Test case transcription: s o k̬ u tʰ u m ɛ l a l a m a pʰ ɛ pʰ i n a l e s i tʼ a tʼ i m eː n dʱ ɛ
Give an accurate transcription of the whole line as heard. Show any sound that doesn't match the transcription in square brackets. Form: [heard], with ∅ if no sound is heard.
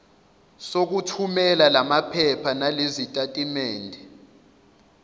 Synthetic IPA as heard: s o k̬ u tʰ u m ɛ l a l a m a pʰ ɛ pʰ [a] n a l e [z] i tʼ a tʼ i m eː n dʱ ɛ

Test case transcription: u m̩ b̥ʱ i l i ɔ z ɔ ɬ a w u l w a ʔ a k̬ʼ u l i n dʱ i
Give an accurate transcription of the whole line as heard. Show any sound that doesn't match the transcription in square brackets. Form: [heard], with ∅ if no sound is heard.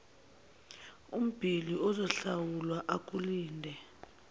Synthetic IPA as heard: u m̩ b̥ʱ i l i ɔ z ɔ ɬ a w u l w a ʔ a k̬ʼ u l [iː] n dʱ [ɛ]

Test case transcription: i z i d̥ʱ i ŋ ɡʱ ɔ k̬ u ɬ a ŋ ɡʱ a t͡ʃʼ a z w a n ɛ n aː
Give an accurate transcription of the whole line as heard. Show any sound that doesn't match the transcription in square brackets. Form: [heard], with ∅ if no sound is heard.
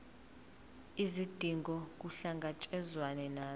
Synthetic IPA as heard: i z i d̥ʱ i ŋ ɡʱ ɔ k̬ u ɬ a ŋ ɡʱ a t͡ʃʼ [ɛ] z w a n ɛ n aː

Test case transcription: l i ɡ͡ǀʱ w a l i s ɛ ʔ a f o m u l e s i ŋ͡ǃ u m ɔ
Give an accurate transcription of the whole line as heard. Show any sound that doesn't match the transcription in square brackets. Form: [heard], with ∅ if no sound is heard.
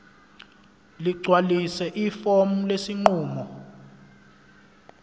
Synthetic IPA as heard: l i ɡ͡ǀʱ w a l i s ɛ ʔ [i] f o m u l e s i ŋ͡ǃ [uː] m ɔ

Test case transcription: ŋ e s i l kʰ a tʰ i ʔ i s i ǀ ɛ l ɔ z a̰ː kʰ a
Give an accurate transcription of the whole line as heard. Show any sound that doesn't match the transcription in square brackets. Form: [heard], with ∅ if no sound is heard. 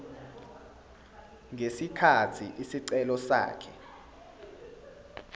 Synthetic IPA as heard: ŋ e s i [∅] kʰ a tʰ i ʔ i s i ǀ ɛ l ɔ [s] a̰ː kʰ [ɛ]

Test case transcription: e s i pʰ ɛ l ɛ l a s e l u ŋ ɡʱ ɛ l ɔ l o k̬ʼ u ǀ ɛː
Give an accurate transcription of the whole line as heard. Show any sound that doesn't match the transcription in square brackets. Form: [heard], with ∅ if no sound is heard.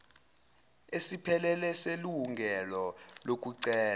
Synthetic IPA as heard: e s i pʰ ɛ l ɛ l [ɛ] s e l u ŋ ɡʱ ɛ l ɔ l o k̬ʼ u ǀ ɛː

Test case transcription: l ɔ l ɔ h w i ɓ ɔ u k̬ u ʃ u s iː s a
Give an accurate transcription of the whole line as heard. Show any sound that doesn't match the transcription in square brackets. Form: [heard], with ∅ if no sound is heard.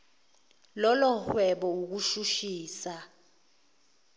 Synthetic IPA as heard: l ɔ l ɔ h w [ɛ] ɓ ɔ u k̬ u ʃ u [ʃ] iː s a

